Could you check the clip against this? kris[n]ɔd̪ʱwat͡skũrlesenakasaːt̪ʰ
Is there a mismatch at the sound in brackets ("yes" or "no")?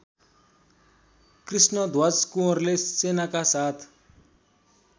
no